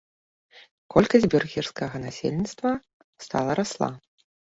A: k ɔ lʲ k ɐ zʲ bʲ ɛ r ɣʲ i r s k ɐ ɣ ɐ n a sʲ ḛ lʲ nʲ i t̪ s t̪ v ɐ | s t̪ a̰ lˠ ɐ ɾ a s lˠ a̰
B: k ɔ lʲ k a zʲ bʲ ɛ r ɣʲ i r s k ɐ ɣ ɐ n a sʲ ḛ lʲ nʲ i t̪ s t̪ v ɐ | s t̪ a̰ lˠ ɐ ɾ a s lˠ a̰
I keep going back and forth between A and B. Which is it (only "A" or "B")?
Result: A